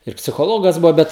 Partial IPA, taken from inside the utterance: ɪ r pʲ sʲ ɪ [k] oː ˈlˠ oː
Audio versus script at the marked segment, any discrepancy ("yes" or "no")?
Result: yes